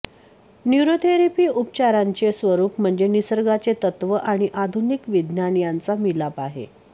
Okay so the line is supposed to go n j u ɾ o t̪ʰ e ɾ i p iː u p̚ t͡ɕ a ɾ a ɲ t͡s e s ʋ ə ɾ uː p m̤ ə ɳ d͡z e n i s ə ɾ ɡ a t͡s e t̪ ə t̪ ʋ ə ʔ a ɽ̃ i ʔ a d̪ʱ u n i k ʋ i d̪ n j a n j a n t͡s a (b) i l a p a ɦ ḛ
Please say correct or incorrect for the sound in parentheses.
incorrect